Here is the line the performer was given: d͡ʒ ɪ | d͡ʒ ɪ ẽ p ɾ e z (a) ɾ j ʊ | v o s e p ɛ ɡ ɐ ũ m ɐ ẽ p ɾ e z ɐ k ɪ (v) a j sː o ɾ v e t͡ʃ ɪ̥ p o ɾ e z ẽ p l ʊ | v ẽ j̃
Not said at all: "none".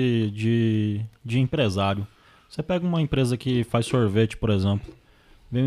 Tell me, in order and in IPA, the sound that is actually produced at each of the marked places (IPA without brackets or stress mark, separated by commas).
a, f